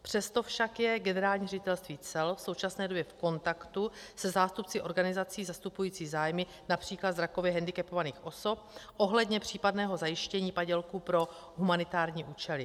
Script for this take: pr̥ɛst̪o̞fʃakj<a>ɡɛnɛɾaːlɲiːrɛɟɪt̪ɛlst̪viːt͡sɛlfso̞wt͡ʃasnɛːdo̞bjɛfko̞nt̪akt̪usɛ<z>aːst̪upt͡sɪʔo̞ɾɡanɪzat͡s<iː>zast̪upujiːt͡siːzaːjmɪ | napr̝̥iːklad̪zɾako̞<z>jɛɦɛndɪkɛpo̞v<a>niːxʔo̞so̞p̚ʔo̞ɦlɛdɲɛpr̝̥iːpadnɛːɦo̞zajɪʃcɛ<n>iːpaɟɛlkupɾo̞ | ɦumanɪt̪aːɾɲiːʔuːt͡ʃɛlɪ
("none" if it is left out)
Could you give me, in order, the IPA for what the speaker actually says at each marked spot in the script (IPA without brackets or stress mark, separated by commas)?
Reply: ɛ, z, iː, v, a, ɲ